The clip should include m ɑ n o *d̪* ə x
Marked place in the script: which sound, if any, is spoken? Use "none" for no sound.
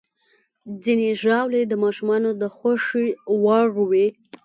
d̪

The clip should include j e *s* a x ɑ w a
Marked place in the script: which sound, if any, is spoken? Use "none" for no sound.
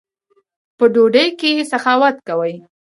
s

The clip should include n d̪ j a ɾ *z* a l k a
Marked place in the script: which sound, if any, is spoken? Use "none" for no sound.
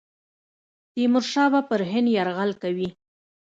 ɣ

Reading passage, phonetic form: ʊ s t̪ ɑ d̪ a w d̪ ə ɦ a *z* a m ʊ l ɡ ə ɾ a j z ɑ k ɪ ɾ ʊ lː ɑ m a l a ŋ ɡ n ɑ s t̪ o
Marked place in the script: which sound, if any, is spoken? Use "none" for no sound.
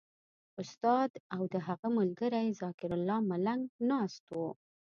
ɣ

